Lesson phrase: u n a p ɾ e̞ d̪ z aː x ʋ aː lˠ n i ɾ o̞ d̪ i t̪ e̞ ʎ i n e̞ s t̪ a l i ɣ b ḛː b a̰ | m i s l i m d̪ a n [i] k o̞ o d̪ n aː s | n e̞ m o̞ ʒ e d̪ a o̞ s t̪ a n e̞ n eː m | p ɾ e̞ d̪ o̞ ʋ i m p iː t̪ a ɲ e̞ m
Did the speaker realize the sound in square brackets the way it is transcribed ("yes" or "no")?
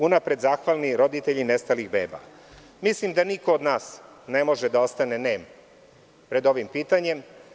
yes